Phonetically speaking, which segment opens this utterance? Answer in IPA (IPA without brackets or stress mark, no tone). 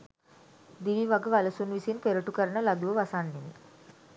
d̪